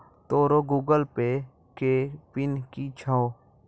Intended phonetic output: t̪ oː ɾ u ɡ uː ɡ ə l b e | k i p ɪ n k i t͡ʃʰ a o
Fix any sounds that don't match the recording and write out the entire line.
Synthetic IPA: t̪ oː ɾ o ɡ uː ɡ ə l p e | k e p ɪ n k i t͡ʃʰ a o